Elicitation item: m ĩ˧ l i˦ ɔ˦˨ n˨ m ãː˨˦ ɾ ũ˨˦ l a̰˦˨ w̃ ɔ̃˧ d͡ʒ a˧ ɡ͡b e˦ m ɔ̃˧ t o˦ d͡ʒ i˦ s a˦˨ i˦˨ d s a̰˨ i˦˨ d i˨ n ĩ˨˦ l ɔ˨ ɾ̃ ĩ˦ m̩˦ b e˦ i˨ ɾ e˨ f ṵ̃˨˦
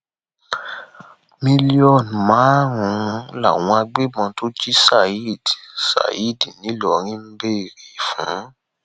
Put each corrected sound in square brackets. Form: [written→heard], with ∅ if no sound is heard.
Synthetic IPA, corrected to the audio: m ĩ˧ l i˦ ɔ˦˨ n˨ m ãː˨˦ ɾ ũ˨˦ l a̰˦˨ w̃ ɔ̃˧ [d͡ʒ→∅] a˧ ɡ͡b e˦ m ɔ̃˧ t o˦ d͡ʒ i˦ s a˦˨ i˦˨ d s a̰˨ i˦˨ d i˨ n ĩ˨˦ l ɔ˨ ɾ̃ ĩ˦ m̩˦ b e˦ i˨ ɾ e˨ f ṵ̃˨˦